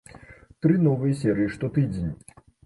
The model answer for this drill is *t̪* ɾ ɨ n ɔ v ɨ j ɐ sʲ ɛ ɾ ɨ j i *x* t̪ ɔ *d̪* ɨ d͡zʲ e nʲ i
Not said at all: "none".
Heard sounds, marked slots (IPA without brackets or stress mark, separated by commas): t̪, ʂ, t̪